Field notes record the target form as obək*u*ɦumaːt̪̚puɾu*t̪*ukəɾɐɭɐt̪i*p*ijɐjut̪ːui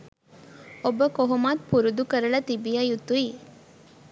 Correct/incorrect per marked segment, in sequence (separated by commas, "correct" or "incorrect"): incorrect, incorrect, incorrect